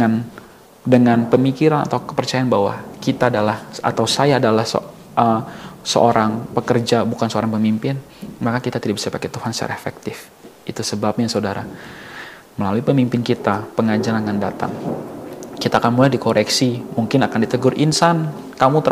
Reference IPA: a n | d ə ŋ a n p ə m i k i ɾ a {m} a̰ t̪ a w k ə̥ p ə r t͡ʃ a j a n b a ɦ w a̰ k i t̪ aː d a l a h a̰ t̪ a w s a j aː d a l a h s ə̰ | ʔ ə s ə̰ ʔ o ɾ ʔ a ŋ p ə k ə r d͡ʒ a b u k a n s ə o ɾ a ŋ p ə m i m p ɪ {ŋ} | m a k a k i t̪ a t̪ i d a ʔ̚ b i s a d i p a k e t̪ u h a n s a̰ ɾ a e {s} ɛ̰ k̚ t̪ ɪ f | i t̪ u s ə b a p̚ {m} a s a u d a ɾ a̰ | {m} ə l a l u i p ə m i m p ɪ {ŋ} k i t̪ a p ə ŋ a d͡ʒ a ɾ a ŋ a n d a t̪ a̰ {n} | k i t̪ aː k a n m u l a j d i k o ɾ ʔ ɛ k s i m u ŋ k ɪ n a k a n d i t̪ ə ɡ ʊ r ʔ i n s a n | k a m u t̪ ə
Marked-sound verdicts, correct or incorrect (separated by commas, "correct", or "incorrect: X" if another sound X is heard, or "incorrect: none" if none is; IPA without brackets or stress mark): incorrect: n, incorrect: n, incorrect: f, incorrect: ɲ, correct, incorrect: n, incorrect: ŋ